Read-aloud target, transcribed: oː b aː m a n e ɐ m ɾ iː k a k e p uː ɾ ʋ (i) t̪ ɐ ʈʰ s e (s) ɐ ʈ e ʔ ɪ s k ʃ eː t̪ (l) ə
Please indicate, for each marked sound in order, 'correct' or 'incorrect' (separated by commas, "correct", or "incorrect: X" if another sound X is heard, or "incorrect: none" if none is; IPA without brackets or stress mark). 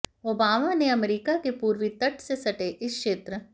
correct, correct, incorrect: ɾ